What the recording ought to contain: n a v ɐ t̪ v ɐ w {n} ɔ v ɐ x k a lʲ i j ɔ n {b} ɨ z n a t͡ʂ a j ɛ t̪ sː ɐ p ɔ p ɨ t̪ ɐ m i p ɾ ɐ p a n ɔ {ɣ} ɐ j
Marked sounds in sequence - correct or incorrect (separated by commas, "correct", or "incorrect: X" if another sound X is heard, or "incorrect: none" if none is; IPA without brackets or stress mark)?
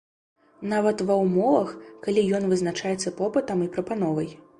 incorrect: m, incorrect: v, incorrect: v